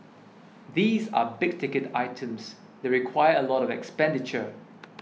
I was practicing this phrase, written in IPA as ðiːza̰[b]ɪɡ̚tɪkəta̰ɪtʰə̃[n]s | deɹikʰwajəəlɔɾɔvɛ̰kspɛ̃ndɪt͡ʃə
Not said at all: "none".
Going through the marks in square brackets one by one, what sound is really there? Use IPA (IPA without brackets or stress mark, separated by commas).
b, m